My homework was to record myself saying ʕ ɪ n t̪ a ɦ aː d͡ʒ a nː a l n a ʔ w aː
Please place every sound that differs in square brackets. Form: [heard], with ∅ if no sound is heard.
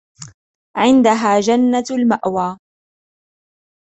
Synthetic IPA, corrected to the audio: ʕ ɪ n [d̪] a ɦ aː d͡ʒ a nː a l [m] a ʔ w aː